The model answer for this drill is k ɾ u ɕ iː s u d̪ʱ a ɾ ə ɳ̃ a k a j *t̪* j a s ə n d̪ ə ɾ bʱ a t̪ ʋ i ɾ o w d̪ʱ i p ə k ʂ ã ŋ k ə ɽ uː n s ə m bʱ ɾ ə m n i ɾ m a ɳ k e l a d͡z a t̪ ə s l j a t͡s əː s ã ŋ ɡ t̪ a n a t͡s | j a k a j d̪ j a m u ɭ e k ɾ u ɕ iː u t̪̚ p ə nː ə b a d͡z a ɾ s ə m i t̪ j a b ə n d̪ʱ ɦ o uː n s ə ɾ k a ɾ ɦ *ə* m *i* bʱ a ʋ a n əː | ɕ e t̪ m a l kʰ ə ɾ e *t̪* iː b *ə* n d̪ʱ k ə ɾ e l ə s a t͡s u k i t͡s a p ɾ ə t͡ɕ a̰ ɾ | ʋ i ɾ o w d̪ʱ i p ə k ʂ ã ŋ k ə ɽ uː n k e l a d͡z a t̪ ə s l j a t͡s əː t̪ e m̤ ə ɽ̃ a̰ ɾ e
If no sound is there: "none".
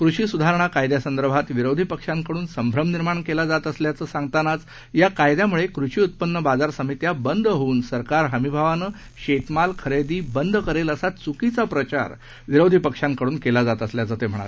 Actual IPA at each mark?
d̪, ə, i, d̪, ə

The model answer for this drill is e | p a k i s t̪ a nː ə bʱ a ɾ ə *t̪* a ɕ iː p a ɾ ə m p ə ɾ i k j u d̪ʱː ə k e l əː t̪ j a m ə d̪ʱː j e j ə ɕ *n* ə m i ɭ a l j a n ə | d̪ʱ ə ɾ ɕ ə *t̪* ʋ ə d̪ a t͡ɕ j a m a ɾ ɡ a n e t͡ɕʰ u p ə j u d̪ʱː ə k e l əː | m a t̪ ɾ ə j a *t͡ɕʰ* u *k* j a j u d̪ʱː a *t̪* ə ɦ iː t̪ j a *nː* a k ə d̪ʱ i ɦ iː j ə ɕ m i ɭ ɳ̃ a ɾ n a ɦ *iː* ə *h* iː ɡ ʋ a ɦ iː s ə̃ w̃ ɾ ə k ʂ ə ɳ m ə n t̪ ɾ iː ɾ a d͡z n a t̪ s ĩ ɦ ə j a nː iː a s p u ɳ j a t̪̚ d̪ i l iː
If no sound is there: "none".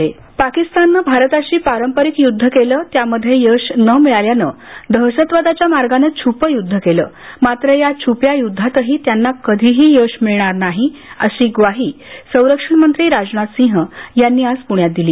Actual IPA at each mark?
t̪, n, t̪, t͡ɕʰ, p, t̪, nː, i, ɕ

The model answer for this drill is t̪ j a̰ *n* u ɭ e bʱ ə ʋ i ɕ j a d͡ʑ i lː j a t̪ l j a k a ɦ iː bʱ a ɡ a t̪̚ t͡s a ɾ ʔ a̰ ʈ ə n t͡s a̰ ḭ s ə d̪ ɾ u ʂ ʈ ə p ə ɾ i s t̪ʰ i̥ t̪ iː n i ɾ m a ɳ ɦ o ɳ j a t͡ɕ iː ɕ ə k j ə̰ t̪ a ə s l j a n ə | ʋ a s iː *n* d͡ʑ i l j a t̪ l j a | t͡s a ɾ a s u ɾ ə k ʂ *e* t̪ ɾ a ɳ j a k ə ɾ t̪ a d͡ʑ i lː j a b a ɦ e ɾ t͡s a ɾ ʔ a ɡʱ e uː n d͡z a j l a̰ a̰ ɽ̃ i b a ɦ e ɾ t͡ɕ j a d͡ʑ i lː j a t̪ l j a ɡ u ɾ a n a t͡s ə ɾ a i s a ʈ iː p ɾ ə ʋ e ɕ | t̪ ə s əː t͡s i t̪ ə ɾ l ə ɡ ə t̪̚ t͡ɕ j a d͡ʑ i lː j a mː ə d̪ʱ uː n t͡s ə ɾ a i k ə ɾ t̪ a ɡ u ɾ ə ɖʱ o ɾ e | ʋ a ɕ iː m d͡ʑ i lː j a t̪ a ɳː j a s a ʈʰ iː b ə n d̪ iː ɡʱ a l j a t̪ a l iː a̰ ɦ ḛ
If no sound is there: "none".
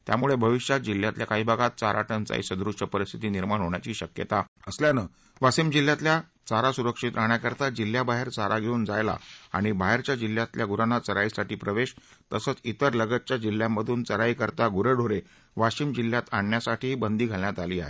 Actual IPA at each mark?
m, m, i

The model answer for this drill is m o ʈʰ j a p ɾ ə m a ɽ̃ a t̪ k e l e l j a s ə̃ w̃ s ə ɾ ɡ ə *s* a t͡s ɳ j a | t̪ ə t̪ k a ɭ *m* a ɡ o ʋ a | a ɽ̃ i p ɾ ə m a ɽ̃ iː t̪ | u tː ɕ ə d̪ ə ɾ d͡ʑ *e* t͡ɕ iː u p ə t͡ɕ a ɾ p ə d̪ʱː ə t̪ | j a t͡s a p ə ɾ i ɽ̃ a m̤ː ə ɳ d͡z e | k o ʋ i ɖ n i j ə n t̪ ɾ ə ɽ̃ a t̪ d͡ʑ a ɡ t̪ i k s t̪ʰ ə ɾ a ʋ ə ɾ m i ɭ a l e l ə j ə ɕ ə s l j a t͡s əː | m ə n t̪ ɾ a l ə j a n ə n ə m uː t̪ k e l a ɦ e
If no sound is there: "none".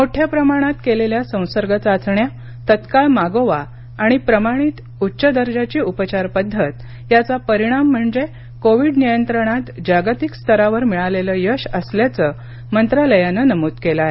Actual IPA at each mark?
t͡s, m, a

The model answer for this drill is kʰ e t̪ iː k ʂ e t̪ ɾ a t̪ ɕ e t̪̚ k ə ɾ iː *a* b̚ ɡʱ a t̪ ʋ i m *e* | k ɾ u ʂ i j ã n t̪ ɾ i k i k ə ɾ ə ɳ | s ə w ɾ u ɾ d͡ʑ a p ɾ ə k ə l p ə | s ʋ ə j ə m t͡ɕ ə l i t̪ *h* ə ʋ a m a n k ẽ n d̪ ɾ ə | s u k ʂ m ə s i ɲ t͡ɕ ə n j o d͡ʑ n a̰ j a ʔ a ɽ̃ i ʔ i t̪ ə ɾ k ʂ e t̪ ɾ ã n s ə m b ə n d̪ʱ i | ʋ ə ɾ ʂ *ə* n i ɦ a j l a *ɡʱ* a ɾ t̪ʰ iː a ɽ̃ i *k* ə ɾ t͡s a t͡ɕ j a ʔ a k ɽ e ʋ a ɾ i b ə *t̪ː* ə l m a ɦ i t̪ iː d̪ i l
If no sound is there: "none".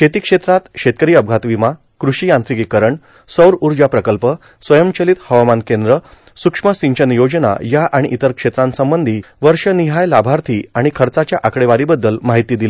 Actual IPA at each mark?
ə, a, h, ə, bʱ, kʰ, d̪ː

